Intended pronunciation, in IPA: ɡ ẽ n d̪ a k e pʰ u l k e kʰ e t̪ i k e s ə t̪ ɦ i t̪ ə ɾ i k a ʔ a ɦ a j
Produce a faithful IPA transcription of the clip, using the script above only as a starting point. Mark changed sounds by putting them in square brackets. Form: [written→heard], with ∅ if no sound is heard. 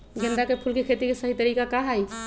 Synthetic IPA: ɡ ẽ n d̪ a k e pʰ u l k e kʰ e t̪ i k e s ə [t̪→∅] ɦ i t̪ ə ɾ i k a [ʔ→k] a ɦ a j